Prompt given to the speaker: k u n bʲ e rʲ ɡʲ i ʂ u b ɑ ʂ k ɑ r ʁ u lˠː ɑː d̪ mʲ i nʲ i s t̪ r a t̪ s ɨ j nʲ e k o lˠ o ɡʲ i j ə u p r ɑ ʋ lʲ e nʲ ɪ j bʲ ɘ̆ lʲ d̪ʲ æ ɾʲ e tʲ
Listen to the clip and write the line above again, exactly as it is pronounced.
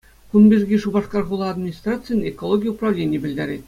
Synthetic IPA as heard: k u n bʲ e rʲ ɡʲ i ʂ u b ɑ ʂ k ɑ r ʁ u lˠ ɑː d̪ mʲ i nʲ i s t̪ r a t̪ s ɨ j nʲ e k o lˠ o ɡʲ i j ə u p r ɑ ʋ lʲ e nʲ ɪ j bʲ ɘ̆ lʲ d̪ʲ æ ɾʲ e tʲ